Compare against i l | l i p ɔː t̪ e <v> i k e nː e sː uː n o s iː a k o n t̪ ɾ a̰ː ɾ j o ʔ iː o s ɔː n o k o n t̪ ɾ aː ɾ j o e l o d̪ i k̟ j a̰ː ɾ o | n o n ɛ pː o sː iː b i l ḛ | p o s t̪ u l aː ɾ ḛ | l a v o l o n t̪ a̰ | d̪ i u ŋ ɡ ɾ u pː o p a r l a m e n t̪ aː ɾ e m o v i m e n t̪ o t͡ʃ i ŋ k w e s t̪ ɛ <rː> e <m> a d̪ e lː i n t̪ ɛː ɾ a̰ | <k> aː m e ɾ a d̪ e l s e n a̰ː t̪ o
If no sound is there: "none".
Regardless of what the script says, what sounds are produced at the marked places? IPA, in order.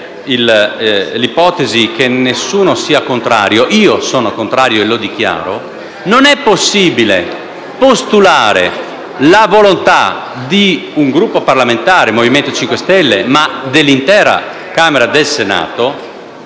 z, lː, m, k

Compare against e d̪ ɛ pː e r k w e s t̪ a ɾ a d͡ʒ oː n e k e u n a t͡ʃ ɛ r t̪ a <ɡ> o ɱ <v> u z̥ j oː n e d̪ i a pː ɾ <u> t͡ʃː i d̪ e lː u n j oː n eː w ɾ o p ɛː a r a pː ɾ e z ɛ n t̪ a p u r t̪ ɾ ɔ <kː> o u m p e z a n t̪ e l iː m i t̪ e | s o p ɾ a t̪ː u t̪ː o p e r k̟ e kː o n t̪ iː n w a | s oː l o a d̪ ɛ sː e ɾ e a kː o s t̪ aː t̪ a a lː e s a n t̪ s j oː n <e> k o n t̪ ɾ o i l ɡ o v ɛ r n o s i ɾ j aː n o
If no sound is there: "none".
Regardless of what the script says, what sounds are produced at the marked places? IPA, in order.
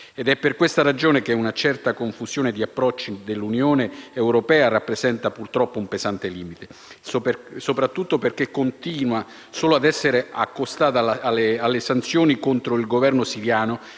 k, f, ɔ, pː, i

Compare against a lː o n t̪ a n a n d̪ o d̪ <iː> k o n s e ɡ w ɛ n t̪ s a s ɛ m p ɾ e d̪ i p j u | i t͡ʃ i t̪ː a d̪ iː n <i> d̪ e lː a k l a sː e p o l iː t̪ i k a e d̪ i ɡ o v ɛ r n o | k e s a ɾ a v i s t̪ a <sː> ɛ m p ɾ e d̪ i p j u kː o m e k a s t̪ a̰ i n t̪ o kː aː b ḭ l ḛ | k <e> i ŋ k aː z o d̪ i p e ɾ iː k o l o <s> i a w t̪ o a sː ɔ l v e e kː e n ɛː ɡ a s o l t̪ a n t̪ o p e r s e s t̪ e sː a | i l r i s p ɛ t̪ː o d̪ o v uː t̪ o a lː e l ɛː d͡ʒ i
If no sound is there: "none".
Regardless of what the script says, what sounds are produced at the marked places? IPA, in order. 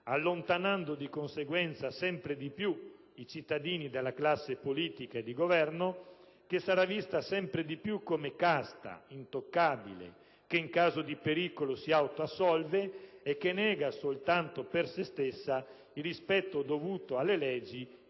i, i, s, e, s

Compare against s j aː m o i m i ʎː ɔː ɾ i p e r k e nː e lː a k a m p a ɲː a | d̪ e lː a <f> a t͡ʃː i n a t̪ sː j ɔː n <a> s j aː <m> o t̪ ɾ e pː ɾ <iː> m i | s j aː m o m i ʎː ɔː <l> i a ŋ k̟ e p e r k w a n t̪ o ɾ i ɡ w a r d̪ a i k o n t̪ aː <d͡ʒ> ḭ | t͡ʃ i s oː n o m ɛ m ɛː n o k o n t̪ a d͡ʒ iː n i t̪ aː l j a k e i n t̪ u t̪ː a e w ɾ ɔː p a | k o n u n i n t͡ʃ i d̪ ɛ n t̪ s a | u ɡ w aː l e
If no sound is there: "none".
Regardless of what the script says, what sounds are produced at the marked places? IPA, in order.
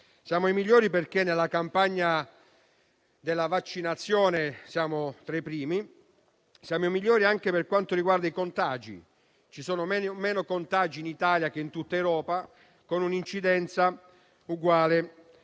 v, e, m, iː, ɾ, d͡ʒ

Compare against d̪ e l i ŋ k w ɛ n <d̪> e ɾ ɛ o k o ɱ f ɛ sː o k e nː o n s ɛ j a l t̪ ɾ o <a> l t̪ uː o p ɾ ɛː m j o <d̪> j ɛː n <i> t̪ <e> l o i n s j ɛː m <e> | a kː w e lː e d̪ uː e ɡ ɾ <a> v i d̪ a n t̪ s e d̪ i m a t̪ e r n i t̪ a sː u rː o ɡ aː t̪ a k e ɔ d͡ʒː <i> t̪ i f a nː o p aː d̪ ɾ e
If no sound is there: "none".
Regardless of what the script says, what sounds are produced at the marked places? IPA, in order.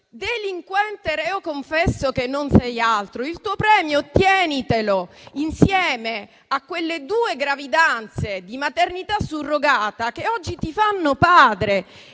t̪, i, t̪, i, e, e, a, i

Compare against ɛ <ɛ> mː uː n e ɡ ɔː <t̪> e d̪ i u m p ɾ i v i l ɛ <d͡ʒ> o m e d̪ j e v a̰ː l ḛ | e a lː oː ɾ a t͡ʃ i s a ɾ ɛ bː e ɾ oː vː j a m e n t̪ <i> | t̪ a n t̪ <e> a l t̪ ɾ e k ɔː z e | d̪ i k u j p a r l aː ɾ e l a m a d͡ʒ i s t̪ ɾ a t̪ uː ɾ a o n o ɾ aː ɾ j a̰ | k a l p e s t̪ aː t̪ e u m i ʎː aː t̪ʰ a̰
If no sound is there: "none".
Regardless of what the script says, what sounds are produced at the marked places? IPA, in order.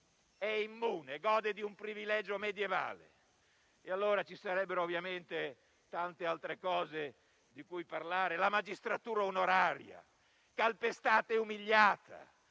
i, d̪, d͡ʒ, e, e

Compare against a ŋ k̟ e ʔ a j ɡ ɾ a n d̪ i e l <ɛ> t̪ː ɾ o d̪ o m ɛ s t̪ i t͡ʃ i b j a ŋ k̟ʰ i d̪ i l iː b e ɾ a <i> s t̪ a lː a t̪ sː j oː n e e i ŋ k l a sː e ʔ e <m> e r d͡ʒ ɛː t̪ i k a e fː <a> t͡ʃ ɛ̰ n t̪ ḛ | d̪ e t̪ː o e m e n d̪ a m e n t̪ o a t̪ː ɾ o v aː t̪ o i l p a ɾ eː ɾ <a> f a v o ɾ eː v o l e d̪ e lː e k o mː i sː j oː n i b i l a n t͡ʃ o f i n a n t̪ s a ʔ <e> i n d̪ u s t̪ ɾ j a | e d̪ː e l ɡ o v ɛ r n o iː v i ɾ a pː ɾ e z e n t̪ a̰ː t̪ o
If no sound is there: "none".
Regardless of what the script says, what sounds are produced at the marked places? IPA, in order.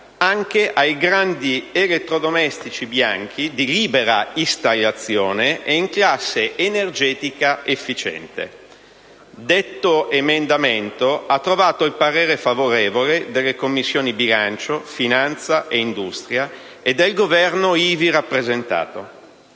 e, i, n, i, e, e

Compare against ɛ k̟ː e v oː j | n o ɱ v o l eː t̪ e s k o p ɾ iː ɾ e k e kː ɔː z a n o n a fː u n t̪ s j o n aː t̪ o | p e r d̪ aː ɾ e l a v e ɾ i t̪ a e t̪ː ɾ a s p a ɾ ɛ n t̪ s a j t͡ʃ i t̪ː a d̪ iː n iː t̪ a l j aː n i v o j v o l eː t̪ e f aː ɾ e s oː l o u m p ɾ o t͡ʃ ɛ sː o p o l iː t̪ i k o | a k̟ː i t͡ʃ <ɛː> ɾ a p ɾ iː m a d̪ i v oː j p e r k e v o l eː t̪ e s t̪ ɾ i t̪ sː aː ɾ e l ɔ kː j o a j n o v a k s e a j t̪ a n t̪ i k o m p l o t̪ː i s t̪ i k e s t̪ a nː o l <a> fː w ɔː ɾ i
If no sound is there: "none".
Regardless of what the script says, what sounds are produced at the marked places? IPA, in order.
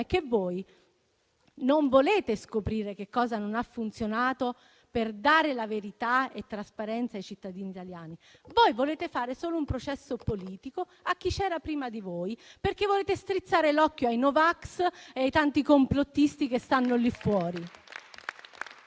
ɛː, i

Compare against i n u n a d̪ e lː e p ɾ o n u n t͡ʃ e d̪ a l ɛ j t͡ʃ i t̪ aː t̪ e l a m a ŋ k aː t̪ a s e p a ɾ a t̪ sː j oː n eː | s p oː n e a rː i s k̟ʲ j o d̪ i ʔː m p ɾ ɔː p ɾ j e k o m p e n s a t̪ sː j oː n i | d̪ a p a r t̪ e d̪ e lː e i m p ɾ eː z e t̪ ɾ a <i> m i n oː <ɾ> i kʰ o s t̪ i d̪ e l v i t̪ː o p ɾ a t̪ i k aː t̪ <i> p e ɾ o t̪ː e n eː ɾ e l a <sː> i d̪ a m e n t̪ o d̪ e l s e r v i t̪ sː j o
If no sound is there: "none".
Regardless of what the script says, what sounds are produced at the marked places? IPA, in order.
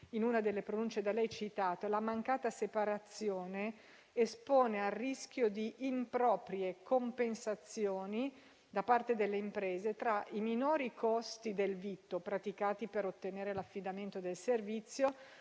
i, ɾ, i, fː

